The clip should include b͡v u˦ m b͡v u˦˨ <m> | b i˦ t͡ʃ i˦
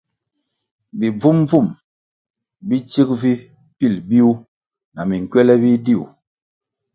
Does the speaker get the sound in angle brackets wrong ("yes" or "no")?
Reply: no